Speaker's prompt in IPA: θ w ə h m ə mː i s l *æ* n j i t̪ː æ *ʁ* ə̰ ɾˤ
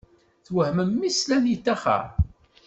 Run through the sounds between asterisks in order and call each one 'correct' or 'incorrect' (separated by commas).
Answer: correct, incorrect